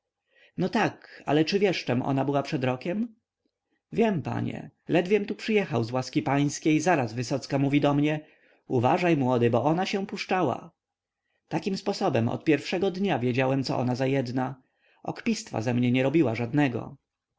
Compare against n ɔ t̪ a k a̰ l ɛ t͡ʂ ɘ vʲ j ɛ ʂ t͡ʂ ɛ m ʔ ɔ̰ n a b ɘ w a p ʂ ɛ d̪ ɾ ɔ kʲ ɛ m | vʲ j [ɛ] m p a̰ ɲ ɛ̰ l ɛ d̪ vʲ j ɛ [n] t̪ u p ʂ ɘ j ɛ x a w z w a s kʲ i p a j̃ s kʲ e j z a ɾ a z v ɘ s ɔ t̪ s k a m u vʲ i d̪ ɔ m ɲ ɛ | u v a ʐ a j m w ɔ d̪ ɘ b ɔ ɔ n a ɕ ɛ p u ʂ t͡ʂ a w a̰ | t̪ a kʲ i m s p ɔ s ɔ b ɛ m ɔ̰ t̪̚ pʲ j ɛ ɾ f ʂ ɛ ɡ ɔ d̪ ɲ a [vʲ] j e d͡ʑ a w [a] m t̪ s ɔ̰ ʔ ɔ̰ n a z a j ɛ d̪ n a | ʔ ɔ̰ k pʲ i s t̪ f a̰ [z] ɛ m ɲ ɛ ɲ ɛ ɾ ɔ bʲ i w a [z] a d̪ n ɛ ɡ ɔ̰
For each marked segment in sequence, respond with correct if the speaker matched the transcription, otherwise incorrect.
correct, incorrect: m, correct, incorrect: ɛ, correct, incorrect: ʐ

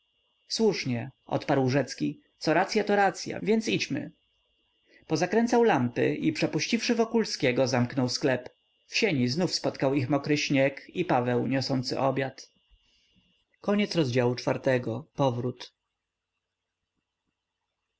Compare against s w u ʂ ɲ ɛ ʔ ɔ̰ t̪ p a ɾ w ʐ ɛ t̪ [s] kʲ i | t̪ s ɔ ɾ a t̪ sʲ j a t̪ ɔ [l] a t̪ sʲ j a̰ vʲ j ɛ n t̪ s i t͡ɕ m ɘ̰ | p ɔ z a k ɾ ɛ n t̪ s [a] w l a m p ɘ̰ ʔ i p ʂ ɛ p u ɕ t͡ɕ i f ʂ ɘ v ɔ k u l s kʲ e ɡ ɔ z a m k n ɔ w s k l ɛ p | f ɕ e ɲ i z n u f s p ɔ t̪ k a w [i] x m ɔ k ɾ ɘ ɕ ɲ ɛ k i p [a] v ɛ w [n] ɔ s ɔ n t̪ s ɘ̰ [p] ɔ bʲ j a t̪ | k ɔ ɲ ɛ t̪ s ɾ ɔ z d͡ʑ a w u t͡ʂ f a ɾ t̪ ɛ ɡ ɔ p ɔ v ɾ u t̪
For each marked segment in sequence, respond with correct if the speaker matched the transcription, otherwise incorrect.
correct, incorrect: ɾ, correct, correct, correct, incorrect: ɲ, incorrect: ʔ

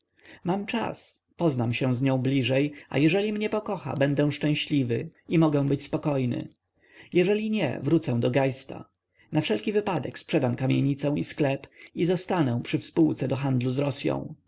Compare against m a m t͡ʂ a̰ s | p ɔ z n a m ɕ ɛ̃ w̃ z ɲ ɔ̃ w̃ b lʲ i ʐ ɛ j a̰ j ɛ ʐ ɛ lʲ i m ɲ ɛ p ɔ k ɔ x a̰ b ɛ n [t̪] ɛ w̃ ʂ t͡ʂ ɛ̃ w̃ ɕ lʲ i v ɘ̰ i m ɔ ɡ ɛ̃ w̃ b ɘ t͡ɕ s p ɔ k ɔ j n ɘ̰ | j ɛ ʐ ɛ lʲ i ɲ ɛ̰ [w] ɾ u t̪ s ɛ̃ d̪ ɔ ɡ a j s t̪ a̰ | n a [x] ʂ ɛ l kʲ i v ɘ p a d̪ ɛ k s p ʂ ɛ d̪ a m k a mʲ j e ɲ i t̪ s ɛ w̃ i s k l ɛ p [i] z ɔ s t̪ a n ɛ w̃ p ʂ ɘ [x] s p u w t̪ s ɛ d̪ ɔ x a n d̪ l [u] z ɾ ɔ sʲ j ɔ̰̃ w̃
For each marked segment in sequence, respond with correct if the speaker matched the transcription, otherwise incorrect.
incorrect: d̪, incorrect: v, incorrect: f, correct, incorrect: f, correct

